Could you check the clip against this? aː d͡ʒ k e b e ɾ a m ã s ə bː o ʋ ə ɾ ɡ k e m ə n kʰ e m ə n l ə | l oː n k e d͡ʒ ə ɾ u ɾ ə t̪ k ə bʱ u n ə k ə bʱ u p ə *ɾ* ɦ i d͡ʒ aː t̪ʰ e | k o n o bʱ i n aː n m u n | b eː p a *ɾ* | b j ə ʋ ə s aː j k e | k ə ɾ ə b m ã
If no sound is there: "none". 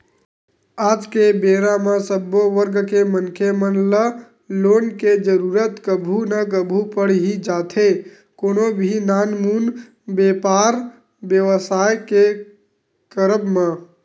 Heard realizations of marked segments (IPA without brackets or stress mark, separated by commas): ɽ, ɾ